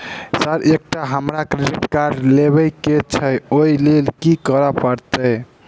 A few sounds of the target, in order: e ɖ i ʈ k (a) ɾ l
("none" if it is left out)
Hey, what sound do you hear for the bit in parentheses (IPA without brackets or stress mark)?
a